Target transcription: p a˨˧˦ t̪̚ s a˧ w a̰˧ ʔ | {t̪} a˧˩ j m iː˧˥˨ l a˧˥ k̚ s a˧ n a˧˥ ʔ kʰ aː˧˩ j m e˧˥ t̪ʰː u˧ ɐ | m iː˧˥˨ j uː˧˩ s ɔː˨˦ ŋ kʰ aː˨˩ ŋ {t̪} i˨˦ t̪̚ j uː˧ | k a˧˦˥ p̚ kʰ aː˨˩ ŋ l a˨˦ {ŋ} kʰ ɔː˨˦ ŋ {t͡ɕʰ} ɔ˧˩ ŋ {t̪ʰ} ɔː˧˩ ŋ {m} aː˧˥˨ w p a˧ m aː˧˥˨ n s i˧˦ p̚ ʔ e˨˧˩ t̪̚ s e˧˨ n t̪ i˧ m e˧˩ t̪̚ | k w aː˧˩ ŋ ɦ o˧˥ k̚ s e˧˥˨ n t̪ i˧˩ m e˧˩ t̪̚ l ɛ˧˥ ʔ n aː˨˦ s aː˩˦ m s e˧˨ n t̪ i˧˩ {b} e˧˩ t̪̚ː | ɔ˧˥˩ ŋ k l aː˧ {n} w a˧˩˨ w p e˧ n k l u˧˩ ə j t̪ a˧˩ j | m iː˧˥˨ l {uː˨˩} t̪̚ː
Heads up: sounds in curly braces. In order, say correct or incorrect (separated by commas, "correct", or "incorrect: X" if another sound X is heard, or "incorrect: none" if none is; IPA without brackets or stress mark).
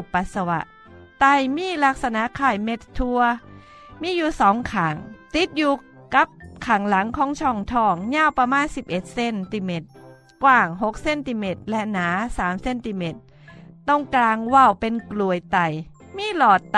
correct, correct, correct, correct, correct, incorrect: ɲ, incorrect: m, incorrect: ŋ, incorrect: ɔː˨˩